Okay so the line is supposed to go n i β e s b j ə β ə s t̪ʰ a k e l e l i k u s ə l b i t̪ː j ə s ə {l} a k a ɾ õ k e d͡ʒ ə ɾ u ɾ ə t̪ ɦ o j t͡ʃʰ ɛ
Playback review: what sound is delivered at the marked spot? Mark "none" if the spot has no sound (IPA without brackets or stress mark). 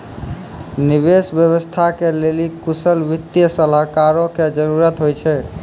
l